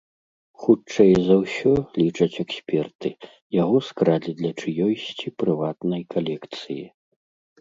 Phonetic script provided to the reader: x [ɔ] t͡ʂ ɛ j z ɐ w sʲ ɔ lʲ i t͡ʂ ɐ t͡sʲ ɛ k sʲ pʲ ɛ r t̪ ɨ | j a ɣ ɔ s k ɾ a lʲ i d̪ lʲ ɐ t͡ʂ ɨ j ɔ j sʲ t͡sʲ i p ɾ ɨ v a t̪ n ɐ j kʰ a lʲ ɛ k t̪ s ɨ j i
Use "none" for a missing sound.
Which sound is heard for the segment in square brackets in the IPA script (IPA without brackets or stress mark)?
u